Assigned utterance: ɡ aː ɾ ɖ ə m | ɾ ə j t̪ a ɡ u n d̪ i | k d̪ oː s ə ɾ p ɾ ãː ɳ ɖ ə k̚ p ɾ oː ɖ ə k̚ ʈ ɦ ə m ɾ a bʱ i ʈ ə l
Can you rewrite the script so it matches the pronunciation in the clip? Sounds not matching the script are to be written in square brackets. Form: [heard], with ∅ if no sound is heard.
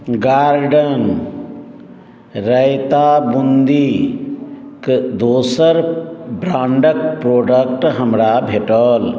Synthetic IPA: ɡ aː ɾ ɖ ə [n] | ɾ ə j t̪ a [b] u n d̪ i | k d̪ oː s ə ɾ [b] ɾ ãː ɳ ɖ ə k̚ p ɾ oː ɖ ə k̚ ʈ ɦ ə m ɾ a bʱ [e] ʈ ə l